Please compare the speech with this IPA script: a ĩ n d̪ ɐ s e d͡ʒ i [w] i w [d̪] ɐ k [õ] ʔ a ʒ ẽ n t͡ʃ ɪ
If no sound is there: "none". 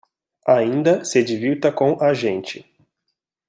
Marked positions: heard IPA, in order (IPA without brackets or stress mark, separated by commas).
v, t̪, õ